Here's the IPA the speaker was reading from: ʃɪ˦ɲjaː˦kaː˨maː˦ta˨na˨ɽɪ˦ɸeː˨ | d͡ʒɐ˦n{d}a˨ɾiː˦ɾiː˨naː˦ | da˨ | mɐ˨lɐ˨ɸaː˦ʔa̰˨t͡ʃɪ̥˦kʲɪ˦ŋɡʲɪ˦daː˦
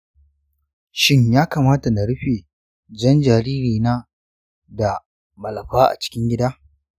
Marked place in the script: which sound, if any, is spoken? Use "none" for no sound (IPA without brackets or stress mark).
d͡ʒ